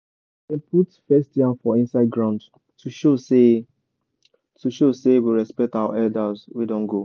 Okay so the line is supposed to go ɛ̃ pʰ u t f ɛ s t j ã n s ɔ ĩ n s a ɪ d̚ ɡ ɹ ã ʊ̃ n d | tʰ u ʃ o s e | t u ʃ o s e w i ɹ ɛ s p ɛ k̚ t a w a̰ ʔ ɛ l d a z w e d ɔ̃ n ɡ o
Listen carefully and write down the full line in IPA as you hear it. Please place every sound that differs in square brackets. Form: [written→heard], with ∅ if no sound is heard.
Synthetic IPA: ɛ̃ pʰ u t f ɛ s t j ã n [s→f] ɔ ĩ n s a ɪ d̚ ɡ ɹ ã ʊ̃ n d | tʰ u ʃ o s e | t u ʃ o s e w i ɹ ɛ s p ɛ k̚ t a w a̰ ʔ ɛ l d a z w [e→i] d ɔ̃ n ɡ o